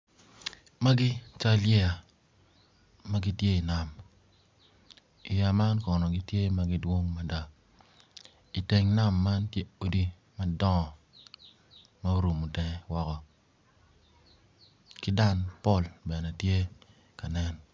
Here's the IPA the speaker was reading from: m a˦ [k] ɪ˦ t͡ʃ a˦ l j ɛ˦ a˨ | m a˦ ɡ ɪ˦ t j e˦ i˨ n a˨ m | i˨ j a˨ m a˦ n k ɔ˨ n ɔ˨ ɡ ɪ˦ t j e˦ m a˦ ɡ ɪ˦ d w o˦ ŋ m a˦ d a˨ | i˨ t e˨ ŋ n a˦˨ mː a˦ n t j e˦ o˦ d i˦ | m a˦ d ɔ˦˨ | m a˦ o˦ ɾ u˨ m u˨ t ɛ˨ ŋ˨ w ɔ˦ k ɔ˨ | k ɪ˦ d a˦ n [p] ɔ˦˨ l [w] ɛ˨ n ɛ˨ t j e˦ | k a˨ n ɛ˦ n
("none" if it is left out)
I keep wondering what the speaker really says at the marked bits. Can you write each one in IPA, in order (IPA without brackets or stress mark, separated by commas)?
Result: ɡ, p, b